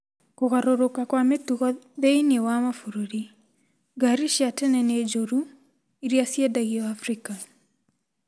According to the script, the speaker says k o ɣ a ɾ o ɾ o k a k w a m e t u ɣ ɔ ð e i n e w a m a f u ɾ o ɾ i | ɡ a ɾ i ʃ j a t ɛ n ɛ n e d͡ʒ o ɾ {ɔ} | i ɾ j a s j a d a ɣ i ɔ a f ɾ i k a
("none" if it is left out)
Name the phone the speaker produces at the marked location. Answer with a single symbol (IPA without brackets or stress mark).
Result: u